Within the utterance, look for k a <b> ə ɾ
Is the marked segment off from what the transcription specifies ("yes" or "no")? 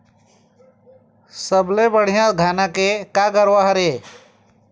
yes